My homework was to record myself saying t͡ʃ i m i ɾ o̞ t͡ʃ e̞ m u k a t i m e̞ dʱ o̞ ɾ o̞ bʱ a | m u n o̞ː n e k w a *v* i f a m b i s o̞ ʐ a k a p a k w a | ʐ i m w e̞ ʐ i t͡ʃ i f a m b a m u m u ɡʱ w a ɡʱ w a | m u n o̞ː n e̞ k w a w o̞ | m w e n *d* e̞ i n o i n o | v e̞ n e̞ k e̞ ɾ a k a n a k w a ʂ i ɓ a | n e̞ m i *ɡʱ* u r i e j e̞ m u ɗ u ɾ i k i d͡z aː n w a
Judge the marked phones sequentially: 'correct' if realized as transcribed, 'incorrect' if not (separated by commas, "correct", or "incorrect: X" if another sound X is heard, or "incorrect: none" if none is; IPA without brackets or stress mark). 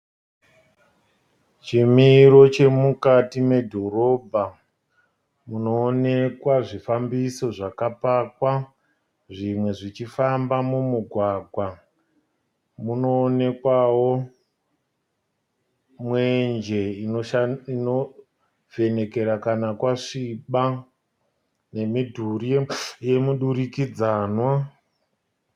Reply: incorrect: ʐ, incorrect: d͡ʒ, incorrect: dʱ